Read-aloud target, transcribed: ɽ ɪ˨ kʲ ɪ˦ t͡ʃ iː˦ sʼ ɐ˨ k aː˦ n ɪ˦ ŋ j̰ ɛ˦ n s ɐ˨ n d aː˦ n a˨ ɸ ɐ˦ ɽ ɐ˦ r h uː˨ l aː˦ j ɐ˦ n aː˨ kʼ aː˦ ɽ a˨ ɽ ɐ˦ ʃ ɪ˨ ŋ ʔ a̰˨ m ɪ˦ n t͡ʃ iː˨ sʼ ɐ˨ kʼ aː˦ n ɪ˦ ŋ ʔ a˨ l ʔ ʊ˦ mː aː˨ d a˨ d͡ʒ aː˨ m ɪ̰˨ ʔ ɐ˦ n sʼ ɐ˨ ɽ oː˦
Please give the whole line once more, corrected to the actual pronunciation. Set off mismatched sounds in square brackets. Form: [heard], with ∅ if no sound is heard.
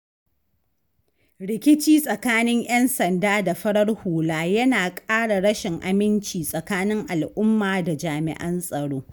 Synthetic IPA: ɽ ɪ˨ kʲ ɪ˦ t͡ʃ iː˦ sʼ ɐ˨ k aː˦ n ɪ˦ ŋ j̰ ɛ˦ n s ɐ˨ n d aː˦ [d] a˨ ɸ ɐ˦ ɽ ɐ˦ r h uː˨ l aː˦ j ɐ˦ n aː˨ kʼ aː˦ ɽ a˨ ɽ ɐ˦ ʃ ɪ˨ ŋ ʔ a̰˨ m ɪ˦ n t͡ʃ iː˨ sʼ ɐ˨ [k] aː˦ n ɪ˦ ŋ ʔ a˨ l ʔ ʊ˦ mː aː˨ d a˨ d͡ʒ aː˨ m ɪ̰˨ ʔ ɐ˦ n sʼ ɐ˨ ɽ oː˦